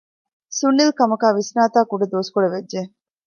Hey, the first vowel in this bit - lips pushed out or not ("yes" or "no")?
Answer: yes